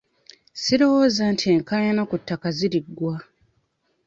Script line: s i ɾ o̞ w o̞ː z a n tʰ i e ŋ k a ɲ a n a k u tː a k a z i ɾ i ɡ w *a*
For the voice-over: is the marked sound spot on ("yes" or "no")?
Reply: yes